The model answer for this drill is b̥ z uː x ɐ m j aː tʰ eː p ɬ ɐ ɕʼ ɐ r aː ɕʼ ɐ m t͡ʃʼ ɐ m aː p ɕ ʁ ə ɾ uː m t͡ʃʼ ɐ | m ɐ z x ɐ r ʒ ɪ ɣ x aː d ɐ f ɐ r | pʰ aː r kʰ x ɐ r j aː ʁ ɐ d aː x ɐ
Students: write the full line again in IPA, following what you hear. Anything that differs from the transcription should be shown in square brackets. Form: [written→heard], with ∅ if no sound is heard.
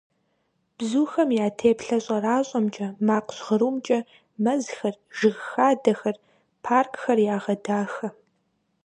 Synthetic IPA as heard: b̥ z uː x ɐ m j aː tʰ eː p ɬ ɐ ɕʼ ɐ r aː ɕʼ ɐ m t͡ʃʼ ɐ m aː [p→q] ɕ ʁ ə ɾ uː m t͡ʃʼ ɐ | m ɐ z x ɐ r ʒ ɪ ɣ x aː d ɐ [f→x] ɐ r | pʰ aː r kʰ x ɐ r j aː ʁ ɐ d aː x ɐ